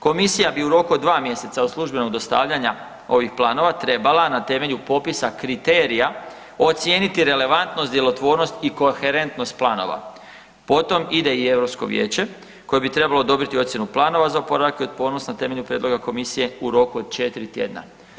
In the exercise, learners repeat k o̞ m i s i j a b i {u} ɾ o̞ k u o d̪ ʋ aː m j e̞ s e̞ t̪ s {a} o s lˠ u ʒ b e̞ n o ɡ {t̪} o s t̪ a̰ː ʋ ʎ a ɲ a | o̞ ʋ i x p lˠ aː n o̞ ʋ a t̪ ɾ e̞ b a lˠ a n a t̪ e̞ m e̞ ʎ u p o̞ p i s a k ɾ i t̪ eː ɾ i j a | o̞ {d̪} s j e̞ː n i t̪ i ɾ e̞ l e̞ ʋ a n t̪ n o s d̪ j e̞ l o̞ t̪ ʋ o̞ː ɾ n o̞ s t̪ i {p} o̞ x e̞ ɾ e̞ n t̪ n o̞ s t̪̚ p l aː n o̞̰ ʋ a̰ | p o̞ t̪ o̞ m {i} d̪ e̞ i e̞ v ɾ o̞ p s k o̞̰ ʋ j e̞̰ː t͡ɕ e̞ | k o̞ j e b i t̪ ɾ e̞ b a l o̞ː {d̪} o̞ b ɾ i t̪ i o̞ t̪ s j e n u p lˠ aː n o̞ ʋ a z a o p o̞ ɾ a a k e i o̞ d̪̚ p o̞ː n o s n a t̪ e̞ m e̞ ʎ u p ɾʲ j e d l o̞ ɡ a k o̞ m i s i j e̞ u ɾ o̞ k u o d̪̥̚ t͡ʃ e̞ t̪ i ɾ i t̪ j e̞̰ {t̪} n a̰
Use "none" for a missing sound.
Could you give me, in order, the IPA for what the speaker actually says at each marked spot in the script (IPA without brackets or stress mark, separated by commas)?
u, a, d̪, t̪, k, i, d̪, d̪